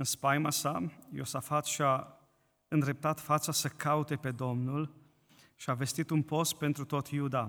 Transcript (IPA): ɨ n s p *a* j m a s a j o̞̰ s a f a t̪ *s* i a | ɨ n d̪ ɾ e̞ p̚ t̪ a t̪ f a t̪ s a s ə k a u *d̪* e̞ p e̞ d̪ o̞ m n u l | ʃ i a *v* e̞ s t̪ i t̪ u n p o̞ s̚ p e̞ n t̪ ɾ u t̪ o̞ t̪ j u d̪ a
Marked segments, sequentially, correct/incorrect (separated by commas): correct, incorrect, incorrect, correct